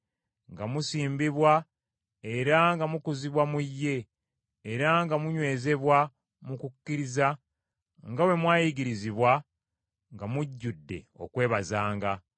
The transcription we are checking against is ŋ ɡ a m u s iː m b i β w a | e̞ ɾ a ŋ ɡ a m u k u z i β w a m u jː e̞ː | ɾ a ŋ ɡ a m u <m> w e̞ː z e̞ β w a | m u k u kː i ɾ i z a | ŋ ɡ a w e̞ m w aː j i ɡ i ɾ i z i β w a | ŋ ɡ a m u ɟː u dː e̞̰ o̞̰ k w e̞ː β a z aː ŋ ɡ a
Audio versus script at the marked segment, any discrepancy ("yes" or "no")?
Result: yes